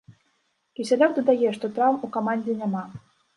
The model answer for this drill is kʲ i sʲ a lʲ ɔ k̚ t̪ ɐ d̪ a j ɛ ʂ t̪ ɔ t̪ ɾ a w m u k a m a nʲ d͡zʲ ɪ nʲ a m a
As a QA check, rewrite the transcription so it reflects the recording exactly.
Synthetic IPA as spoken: kʲ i sʲ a lʲ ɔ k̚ d̪ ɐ d̪ a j ɛ ʂ t̪ ɔ t̪ ɾ a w m u k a m a nʲ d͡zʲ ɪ nʲ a m a